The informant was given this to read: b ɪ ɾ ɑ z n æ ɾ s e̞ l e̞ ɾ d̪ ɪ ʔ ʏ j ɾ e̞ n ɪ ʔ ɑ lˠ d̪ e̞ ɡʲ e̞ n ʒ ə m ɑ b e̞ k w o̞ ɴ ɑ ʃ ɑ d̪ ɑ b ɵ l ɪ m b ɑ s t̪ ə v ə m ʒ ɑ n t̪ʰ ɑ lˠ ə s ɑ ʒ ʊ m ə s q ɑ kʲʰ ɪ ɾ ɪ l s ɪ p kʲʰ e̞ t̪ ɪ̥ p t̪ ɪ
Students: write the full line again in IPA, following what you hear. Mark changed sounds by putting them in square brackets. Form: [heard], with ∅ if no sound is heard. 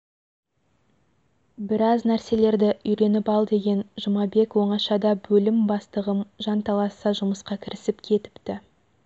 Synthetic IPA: b ɪ ɾ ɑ z n æ ɾ s e̞ l e̞ ɾ d̪ ɪ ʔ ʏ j ɾ e̞ n ɪ [p] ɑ lˠ d̪ e̞ ɡʲ e̞ n ʒ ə m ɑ b e̞ k w o̞ ɴ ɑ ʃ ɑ d̪ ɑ b ɵ l ɪ m b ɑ s t̪ ə [ʁ] ə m ʒ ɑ n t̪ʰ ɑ lˠ [ɑ] s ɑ ʒ ʊ m ə s q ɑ kʲʰ ɪ ɾ ɪ [∅] s ɪ p kʲʰ e̞ t̪ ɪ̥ p t̪ ɪ